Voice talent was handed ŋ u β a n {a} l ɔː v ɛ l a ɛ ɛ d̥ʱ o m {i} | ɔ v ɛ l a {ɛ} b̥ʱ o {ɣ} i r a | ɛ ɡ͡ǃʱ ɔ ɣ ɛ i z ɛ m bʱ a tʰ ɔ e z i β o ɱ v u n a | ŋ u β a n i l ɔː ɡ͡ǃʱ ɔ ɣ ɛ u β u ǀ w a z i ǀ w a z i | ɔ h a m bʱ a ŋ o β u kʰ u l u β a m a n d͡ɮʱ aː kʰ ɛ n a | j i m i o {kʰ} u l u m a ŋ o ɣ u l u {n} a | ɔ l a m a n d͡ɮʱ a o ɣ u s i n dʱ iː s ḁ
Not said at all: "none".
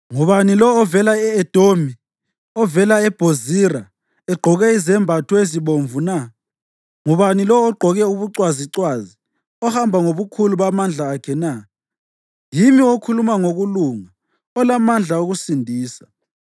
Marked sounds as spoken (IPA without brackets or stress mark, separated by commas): i, i, ɛ, z, kʰ, ŋ